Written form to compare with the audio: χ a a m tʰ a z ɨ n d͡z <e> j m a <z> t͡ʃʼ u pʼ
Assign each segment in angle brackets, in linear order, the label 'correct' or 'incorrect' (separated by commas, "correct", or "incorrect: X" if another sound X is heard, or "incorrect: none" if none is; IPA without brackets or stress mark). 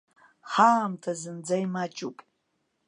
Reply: incorrect: a, incorrect: none